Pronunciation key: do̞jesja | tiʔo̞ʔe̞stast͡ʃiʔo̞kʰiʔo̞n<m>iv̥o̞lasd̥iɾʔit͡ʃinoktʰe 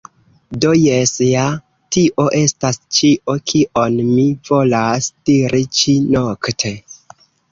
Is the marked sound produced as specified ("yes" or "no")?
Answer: yes